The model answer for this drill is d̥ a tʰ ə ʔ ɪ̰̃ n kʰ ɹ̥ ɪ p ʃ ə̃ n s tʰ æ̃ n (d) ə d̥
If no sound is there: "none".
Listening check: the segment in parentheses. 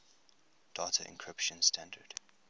d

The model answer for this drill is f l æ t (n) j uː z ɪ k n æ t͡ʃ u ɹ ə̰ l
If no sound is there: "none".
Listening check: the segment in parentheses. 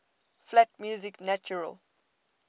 m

